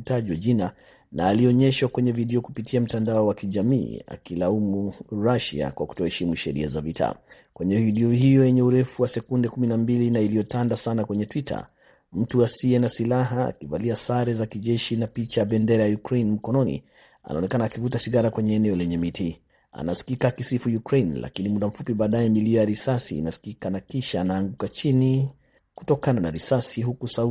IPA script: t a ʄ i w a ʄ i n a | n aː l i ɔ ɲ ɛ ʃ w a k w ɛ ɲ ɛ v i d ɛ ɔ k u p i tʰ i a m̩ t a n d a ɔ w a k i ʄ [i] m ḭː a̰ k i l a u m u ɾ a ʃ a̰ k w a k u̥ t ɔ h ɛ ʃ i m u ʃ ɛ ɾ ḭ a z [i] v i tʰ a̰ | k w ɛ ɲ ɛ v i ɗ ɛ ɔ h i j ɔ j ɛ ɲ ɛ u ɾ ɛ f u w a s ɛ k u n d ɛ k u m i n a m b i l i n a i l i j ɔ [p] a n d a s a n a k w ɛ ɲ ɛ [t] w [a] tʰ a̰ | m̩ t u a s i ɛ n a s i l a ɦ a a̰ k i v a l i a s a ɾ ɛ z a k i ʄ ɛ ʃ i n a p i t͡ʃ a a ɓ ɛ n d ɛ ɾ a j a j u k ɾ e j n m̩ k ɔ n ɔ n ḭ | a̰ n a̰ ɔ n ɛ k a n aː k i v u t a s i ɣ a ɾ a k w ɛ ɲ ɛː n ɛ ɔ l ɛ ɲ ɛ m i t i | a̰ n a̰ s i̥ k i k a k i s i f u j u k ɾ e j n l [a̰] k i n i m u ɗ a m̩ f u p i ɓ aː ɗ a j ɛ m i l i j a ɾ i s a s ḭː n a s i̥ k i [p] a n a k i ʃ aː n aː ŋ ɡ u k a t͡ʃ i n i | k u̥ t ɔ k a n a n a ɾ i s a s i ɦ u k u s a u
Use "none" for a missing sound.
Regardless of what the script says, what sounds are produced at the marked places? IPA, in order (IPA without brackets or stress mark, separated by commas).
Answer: a, a, t, t, i, a̰, k